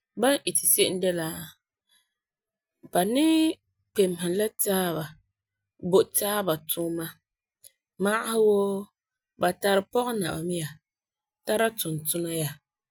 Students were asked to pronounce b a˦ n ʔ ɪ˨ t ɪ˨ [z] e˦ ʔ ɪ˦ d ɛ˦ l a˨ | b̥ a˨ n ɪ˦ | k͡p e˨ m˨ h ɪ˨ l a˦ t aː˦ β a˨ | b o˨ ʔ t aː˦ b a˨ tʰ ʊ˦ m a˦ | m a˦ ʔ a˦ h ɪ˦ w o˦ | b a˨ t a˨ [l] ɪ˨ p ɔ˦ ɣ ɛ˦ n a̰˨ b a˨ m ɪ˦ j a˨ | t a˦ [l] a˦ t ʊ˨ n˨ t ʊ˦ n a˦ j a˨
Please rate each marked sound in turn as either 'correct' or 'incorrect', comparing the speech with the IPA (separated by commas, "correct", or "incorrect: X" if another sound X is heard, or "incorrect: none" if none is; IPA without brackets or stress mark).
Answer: incorrect: s, incorrect: ɾ, incorrect: ɾ